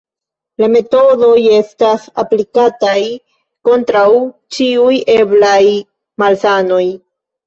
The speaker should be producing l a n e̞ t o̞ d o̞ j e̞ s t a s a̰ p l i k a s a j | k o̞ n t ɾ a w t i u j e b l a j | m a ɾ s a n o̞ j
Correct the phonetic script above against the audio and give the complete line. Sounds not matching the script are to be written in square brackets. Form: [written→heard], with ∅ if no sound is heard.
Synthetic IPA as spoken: l a [n→m] e̞ t o̞ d o̞ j e̞ s t a s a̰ p l i k a [s→t] a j | k o̞ n t ɾ a w [t→t͡ʃ] i u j e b l a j | m a [ɾ→l] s a n o̞ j